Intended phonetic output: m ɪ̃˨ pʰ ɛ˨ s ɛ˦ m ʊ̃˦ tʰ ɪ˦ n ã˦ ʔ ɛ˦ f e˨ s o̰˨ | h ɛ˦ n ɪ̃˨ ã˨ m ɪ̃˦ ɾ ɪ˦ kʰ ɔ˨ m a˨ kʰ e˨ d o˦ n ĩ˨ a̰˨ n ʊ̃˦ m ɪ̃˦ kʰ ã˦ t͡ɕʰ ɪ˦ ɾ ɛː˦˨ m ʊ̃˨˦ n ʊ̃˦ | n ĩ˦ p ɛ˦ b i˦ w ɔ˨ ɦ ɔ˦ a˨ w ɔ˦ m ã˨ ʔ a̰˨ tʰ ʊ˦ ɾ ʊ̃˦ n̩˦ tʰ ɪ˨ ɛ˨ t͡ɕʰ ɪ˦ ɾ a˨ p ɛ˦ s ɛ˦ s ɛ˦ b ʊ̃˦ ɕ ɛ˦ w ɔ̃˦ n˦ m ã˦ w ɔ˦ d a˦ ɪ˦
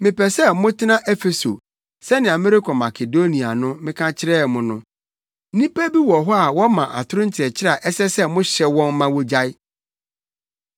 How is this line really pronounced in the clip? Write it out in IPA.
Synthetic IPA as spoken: m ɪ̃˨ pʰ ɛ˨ s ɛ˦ m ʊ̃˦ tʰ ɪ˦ n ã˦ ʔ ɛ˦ f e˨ s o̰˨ | s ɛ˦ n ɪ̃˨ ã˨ m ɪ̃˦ ɾ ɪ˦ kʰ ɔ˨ m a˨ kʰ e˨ d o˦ n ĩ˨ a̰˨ n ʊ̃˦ m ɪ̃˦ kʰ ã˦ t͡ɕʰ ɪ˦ ɾ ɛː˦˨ m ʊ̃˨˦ n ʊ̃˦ | n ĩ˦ p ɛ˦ b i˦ w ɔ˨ ɦ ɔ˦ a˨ w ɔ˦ m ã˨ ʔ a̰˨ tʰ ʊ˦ ɾ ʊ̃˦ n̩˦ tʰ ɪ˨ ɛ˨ t͡ɕʰ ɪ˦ ɾ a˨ ʔ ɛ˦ s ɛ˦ s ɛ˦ m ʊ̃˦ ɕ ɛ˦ w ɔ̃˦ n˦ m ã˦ w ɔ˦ d͡ʑ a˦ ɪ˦